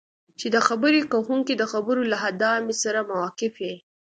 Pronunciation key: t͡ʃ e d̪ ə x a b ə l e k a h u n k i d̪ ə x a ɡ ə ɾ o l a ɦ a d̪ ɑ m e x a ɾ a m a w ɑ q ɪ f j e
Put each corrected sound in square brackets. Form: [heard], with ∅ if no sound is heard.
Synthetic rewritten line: t͡ʃ e d̪ ə x a b ə [ɾ] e k a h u [ŋ] k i d̪ ə x a [b] ə ɾ o l a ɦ a d̪ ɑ m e [s] a ɾ a m a w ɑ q ɪ f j e